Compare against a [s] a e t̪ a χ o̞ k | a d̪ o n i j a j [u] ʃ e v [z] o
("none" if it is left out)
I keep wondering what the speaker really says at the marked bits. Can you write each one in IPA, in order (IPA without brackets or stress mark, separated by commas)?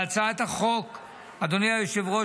t͡s, o, ʁ